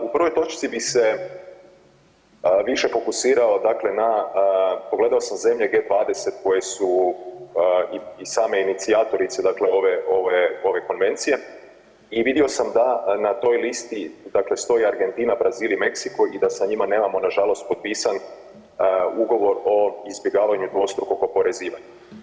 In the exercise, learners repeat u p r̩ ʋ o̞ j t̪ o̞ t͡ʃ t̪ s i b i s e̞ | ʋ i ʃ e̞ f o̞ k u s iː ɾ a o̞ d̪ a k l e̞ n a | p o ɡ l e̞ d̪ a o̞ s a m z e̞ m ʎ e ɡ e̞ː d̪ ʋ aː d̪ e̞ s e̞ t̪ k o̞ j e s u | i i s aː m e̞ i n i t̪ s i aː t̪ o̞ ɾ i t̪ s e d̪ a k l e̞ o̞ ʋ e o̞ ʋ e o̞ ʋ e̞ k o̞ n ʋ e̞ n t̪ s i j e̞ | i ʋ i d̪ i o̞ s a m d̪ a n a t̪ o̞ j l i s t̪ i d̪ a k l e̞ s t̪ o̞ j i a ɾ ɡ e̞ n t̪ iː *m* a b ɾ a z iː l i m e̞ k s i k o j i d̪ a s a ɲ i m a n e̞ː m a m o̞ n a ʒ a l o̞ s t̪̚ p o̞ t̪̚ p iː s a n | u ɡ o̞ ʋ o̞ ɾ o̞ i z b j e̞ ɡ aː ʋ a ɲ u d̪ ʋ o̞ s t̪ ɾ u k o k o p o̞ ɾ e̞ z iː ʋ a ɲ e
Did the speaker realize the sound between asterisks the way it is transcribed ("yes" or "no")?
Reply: no